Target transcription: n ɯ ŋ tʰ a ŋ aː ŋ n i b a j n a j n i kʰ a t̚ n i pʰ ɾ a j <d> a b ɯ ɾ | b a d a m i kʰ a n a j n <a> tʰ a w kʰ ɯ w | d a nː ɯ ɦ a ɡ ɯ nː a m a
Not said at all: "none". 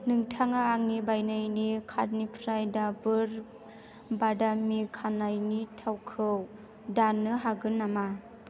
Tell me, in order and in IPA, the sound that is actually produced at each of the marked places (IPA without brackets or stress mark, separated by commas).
d, i